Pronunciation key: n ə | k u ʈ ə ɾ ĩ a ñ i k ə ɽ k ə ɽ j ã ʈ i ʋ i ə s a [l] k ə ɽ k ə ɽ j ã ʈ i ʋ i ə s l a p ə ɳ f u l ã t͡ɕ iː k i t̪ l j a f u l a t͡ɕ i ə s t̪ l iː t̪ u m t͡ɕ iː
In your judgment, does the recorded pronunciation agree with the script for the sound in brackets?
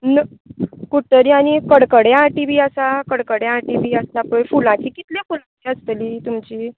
no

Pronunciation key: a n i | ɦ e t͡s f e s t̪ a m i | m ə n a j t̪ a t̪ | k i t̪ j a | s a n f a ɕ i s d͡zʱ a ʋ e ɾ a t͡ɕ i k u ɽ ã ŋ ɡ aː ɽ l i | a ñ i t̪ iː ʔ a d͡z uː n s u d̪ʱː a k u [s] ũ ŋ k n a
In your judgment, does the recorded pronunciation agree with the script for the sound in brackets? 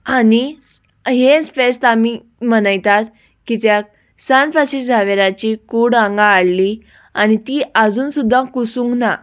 yes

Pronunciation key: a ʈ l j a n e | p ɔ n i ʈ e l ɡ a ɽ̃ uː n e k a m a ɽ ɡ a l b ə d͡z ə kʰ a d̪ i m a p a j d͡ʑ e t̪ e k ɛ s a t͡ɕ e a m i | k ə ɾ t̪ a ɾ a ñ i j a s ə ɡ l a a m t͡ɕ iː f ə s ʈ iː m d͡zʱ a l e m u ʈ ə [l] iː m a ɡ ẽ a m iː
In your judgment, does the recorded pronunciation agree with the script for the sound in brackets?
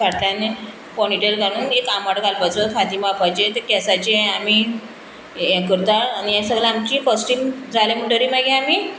no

